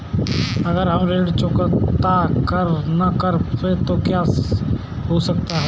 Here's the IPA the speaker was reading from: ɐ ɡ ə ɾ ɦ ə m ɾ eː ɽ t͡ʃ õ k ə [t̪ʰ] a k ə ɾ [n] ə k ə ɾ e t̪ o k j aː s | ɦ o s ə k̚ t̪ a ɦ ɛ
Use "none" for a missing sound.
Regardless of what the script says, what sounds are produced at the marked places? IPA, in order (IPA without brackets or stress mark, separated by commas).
t̪, n